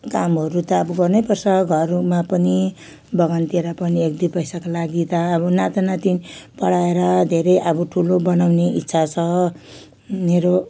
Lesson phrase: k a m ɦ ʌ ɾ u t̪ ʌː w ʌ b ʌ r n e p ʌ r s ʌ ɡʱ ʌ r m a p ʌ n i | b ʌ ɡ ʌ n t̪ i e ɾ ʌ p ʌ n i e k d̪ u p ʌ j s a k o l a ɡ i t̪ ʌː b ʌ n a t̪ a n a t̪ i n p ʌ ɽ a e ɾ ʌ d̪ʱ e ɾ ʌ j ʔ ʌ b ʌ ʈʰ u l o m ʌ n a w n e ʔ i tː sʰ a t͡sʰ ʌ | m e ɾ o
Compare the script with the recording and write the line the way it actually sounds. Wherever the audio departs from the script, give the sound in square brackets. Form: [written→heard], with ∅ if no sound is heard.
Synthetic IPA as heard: k a m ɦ ʌ ɾ u t̪ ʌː [w→b] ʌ [b→ɡ] ʌ r n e p ʌ r s ʌ ɡʱ ʌ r m a p ʌ n i | b ʌ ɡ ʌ n t̪ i e ɾ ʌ p ʌ n i e k d̪ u p ʌ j s a k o l a ɡ i t̪ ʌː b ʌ n a t̪ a n a t̪ i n p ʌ ɽ a e ɾ ʌ d̪ʱ e ɾ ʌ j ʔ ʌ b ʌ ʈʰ u l o [m→b] ʌ n a w n e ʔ i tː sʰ a t͡sʰ ʌ | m e ɾ o